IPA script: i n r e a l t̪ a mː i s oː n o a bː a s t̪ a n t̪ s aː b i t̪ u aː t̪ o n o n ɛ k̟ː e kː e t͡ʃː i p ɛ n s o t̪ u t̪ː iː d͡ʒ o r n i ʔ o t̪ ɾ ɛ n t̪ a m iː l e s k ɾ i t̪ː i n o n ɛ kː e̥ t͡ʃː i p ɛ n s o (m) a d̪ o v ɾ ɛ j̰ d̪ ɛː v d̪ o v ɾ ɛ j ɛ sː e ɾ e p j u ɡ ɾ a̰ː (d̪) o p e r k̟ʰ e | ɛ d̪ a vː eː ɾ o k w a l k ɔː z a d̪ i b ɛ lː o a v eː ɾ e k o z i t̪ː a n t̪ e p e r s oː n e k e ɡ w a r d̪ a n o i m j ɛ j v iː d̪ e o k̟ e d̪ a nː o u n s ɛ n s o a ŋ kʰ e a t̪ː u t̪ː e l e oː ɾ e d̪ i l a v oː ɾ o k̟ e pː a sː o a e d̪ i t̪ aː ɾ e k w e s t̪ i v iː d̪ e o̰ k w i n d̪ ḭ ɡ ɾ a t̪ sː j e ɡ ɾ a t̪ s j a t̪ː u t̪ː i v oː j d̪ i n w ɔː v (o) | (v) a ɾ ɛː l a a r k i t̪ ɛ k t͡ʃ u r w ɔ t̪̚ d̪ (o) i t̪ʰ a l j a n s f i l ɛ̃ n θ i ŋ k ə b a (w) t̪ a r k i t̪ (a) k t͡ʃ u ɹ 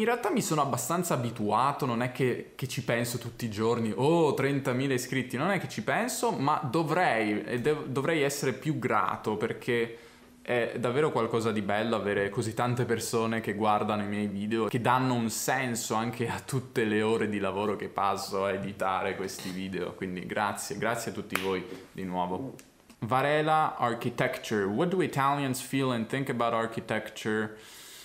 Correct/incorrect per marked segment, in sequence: correct, incorrect: t̪, correct, correct, incorrect: u, correct, incorrect: ɛ

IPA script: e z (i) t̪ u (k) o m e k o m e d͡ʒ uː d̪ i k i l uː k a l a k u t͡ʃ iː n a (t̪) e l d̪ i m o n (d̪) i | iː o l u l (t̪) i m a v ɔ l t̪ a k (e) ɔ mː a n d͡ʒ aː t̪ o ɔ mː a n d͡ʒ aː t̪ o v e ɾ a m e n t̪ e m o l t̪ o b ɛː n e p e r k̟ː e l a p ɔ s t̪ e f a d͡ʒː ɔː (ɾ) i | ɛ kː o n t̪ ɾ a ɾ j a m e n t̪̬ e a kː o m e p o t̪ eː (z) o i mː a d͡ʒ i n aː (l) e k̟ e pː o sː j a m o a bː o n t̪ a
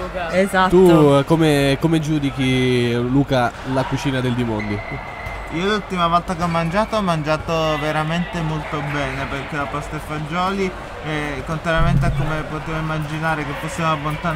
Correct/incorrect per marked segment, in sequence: incorrect: a, correct, incorrect: d̪, correct, correct, correct, incorrect: l, incorrect: v, incorrect: ɾ

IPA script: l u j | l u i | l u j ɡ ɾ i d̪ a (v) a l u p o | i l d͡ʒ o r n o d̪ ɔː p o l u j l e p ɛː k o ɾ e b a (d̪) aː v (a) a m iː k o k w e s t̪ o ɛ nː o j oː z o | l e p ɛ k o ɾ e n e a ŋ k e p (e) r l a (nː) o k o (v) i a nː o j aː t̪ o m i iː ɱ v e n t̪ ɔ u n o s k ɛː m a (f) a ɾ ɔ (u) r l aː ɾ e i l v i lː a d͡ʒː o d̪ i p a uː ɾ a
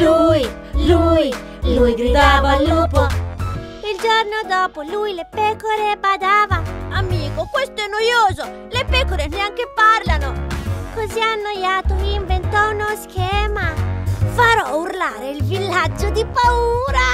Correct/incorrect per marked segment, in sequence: correct, correct, correct, incorrect: a, incorrect: n, incorrect: z, correct, correct

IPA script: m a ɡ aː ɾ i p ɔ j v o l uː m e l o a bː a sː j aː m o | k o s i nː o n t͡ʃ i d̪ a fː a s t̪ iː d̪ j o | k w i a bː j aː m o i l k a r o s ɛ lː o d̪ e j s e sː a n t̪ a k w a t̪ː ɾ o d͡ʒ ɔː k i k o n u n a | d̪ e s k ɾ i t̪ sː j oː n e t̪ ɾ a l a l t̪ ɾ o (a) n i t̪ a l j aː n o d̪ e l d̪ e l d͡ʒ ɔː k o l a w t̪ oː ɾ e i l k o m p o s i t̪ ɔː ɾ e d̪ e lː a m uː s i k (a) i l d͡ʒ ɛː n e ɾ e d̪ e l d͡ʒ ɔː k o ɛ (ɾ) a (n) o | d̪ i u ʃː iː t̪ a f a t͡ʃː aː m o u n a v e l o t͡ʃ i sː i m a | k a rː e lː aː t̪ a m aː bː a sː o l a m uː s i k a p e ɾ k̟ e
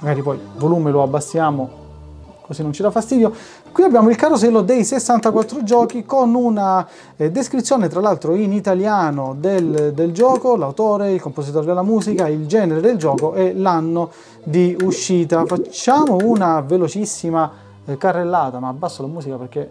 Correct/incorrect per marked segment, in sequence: incorrect: i, correct, incorrect: l, incorrect: nː

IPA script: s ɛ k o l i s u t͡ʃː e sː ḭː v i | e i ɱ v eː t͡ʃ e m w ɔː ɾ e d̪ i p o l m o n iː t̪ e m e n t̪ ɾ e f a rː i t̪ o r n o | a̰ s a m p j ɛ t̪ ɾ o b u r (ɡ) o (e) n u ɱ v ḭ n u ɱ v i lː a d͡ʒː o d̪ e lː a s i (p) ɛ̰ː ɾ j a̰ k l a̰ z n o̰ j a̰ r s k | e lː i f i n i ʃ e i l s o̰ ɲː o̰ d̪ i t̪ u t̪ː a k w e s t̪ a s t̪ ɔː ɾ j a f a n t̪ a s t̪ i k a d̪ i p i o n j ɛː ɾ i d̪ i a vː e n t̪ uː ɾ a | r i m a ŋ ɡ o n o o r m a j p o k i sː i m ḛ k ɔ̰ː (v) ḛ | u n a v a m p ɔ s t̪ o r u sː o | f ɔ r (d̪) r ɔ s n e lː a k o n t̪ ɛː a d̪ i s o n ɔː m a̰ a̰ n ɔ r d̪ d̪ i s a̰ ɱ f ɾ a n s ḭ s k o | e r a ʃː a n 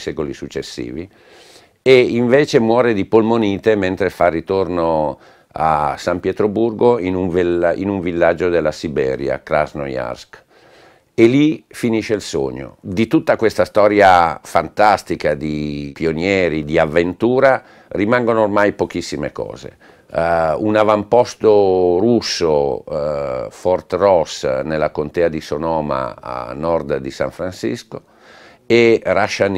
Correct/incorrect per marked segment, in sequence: correct, incorrect: i, incorrect: b, incorrect: z, incorrect: t̪

